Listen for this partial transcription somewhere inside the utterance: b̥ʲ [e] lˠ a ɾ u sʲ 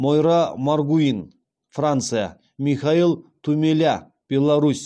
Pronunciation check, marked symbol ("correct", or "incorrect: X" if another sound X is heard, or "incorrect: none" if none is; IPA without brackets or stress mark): correct